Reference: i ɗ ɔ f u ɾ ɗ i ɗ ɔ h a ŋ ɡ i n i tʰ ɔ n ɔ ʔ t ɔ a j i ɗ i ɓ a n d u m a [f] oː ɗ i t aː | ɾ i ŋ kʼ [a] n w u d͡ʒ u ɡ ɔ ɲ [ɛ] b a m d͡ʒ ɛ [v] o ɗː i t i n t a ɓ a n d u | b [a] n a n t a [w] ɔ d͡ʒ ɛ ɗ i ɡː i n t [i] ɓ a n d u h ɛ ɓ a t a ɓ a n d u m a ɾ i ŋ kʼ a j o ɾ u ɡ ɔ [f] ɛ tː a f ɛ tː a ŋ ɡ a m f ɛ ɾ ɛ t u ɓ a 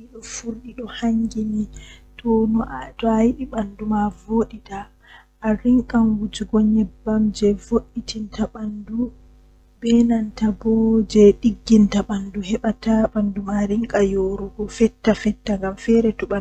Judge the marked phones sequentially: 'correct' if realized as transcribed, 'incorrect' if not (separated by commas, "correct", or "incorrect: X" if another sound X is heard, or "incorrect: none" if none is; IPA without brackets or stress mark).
incorrect: v, correct, correct, correct, incorrect: ɛ, incorrect: b, incorrect: a, correct